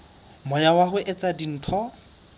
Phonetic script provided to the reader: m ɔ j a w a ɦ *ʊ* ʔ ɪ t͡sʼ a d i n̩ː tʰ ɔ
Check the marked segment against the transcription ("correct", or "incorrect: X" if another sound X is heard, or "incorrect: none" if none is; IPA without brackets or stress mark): correct